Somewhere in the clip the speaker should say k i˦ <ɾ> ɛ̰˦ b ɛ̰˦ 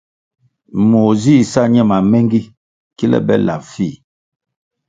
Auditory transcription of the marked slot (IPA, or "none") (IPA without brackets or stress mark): l